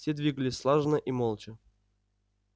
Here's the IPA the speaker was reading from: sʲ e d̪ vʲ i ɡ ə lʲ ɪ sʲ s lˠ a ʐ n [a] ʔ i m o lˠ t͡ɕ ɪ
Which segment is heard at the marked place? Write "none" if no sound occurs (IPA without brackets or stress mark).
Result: ə